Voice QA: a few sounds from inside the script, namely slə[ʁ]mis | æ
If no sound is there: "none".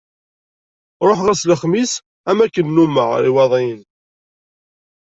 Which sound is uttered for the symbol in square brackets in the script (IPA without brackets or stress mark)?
χ